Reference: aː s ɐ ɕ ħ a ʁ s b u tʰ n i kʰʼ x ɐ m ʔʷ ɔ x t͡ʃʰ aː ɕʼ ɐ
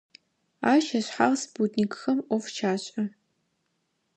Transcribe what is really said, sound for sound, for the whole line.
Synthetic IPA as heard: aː ʃ ɐ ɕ ħ a ʁ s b u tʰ n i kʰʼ x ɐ m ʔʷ ɔ f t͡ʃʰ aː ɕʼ ɐ